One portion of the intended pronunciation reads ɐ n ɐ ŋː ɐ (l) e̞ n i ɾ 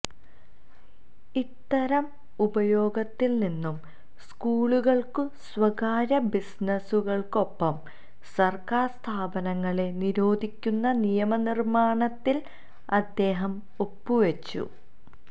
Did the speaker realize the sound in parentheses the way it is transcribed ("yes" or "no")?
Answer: no